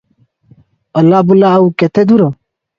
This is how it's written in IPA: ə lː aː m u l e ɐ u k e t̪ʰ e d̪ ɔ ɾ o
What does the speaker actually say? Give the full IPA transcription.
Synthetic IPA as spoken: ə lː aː b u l a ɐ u k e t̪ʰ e d̪ u ɾ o